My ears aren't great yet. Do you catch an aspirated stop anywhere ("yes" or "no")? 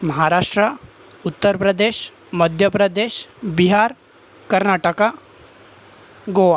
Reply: no